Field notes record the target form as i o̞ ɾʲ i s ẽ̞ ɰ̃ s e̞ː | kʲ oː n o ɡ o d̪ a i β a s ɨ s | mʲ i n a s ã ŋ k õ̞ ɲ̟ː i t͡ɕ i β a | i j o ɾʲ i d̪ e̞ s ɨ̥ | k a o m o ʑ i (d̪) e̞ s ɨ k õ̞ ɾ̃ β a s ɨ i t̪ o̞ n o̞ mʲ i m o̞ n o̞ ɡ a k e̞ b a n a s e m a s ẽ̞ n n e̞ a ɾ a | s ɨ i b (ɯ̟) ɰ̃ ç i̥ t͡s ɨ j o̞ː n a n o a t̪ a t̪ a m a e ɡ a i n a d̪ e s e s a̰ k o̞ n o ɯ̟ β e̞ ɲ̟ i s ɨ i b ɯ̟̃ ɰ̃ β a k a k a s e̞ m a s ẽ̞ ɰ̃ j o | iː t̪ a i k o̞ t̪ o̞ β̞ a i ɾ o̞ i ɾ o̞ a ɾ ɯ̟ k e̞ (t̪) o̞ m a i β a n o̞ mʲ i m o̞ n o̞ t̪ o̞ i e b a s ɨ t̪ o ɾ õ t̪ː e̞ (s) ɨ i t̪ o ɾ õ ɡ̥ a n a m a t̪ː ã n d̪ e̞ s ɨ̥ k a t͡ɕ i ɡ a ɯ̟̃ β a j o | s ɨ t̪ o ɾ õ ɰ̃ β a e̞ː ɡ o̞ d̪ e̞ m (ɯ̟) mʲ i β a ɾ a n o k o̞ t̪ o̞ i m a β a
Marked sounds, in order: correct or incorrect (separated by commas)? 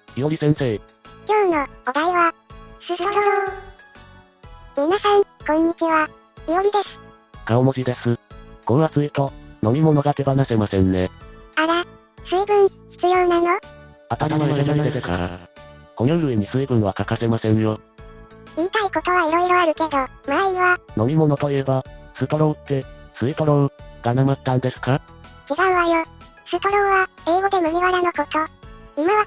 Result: correct, incorrect, incorrect, correct, correct